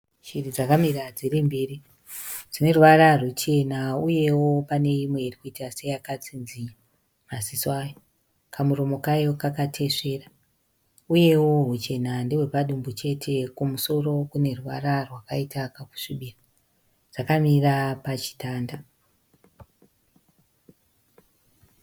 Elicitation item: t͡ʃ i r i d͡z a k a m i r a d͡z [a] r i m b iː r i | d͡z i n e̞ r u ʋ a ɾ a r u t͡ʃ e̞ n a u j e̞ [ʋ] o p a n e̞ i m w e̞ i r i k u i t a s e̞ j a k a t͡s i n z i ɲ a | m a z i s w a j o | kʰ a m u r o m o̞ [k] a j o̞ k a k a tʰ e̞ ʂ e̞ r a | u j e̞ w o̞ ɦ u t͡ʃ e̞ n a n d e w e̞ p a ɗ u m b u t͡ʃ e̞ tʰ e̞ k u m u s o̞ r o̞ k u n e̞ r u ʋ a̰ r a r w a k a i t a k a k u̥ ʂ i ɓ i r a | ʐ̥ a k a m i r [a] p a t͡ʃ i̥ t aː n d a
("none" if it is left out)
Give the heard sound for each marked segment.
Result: i, w, k, a

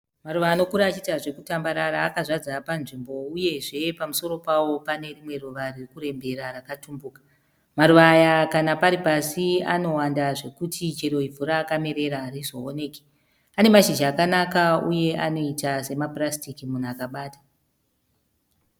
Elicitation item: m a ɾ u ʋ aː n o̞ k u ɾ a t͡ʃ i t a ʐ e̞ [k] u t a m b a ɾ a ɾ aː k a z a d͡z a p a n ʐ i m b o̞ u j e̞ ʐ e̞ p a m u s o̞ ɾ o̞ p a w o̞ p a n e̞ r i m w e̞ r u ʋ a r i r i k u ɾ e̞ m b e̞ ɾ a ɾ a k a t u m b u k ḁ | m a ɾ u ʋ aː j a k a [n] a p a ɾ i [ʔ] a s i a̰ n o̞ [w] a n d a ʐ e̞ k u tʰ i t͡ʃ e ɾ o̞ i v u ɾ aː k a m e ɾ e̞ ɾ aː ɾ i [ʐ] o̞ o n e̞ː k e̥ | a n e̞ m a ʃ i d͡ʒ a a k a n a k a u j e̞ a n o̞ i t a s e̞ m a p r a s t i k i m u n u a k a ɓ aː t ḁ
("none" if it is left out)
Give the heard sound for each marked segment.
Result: k, n, p, w, z

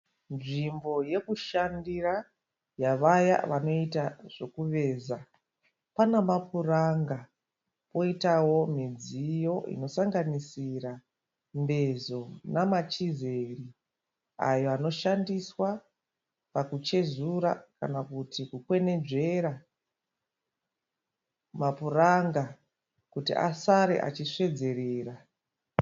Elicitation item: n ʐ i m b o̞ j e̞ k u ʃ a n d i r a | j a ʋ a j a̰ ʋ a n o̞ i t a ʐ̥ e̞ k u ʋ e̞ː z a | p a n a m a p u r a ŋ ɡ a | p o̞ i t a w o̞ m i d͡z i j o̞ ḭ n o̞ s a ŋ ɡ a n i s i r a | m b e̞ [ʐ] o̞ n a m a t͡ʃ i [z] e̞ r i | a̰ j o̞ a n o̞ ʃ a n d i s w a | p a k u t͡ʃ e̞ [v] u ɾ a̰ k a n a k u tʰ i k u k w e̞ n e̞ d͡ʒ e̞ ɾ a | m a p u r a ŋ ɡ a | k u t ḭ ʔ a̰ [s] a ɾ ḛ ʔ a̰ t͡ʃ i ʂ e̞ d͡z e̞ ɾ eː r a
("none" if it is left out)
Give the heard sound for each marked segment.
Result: z, z, z, s

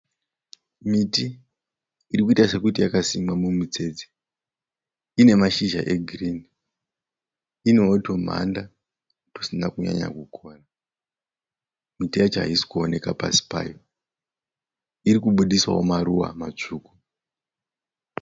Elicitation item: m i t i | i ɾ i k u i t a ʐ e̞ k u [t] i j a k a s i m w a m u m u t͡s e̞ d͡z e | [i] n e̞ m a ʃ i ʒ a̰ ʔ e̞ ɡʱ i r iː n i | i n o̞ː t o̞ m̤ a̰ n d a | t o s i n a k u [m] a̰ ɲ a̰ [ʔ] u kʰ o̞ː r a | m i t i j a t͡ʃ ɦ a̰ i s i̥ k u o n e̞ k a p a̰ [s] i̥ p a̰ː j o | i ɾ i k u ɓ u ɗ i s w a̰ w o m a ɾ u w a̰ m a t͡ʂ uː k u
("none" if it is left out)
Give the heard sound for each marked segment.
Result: t, i, ɲ, k, s

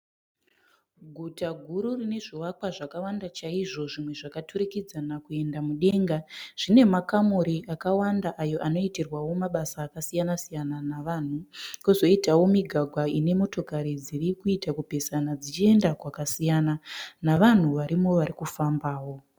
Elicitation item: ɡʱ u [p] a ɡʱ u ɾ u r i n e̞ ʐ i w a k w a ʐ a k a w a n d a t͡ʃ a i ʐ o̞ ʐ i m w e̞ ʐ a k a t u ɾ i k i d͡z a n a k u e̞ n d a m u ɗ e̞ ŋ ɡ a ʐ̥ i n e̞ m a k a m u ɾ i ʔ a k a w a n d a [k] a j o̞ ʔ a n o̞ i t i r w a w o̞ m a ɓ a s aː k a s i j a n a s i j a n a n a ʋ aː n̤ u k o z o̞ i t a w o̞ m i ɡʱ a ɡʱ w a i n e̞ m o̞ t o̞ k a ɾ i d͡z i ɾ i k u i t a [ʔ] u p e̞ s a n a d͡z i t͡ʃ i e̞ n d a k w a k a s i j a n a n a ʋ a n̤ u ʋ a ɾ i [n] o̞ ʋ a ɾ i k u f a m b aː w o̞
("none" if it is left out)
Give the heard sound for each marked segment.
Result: t, ʔ, k, m

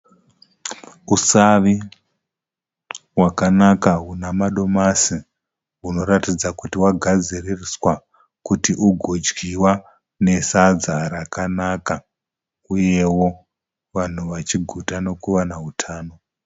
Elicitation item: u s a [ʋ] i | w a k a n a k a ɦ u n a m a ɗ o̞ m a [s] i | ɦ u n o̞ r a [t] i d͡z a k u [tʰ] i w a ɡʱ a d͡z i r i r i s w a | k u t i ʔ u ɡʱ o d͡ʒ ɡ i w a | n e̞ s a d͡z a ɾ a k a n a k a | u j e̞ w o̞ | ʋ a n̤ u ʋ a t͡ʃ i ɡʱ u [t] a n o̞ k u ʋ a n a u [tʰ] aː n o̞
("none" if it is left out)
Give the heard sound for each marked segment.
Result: ʋ, s, t, t, t, tʰ

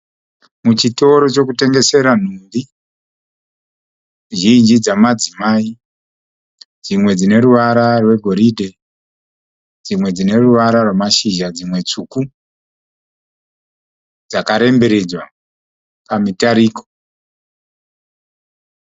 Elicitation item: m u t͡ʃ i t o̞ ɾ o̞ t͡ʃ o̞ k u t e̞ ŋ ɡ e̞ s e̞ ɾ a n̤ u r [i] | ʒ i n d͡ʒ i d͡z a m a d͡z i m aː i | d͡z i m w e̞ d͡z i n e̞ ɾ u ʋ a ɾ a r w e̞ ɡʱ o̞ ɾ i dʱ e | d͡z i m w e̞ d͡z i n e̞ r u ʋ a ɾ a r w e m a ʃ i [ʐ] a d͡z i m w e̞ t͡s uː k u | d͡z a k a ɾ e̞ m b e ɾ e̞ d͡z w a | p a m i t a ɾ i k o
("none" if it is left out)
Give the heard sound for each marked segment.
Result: i, ʒ

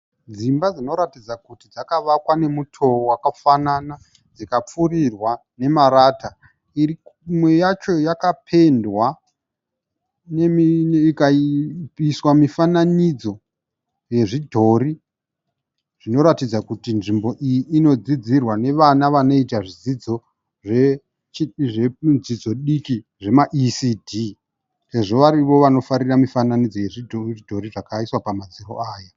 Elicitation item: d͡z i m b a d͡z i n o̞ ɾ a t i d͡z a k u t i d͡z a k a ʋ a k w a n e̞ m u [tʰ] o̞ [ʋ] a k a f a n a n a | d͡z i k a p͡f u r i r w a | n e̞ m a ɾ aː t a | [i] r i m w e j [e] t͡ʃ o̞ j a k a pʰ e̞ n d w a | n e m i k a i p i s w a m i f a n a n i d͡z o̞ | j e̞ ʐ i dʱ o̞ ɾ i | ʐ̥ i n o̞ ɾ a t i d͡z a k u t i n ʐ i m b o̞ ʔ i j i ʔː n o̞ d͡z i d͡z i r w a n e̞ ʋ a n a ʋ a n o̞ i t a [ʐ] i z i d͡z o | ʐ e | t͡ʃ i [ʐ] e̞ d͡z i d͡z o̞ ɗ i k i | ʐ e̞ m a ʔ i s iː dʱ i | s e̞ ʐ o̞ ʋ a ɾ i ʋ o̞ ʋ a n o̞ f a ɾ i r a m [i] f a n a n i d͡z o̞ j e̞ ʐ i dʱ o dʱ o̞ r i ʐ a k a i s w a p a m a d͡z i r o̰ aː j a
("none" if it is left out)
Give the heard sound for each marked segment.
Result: tʰ, w, i, a, ʐ, ʐ, i

